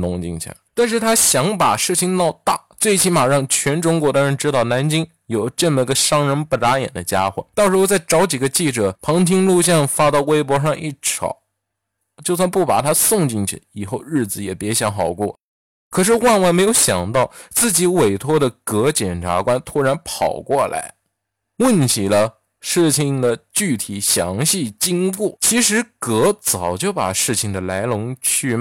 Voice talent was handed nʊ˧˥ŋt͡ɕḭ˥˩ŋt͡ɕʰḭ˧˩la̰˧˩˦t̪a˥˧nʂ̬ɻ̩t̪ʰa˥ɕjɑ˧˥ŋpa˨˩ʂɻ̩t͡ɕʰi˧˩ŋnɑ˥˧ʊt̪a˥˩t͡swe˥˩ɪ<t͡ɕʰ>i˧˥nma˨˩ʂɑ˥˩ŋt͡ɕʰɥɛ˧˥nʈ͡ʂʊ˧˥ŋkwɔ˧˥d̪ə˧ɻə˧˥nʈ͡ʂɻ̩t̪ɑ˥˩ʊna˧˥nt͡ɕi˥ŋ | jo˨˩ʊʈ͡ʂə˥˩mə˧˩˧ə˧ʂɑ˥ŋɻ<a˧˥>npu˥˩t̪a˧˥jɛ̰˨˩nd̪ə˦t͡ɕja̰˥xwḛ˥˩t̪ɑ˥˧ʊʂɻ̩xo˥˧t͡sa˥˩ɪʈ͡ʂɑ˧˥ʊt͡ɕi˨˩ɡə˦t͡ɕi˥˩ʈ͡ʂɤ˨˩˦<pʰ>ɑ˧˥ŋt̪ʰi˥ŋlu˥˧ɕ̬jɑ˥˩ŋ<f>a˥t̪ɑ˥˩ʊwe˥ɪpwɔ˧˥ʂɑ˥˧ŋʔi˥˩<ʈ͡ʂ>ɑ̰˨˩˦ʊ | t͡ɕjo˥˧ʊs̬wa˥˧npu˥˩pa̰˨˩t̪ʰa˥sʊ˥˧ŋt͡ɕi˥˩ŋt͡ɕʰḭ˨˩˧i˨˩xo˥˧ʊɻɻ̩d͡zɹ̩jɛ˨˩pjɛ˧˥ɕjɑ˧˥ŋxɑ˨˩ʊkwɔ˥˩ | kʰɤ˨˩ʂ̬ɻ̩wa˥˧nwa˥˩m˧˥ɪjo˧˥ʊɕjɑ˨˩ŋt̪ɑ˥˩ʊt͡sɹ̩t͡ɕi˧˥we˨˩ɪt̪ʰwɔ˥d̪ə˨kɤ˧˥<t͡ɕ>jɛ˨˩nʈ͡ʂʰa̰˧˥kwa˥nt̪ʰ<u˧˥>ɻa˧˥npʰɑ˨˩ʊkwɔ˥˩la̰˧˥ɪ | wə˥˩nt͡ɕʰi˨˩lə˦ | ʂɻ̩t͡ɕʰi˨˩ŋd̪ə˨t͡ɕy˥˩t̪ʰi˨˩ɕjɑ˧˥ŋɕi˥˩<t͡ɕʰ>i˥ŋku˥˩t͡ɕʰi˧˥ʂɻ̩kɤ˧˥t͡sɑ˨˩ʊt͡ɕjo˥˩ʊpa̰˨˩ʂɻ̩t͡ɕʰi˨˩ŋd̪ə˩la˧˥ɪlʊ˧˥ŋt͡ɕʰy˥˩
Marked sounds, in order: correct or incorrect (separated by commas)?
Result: correct, incorrect, correct, correct, incorrect, correct, incorrect, incorrect